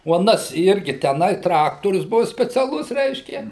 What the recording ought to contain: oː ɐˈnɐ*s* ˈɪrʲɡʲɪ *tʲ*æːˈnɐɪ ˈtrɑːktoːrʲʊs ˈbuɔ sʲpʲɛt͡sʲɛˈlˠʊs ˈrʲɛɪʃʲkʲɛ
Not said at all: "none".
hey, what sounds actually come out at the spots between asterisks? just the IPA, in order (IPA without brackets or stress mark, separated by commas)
s, tʲ